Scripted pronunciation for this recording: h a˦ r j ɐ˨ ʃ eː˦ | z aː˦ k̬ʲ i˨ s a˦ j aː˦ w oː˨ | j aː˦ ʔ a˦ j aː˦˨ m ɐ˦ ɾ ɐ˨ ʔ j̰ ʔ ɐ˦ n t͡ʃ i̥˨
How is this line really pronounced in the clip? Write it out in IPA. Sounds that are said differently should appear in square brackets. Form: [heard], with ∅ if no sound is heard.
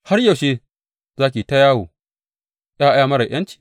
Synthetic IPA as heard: h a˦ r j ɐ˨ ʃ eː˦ | z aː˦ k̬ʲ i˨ [t] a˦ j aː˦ w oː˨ | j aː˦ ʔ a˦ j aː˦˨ m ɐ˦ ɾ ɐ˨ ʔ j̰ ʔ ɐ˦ n t͡ʃ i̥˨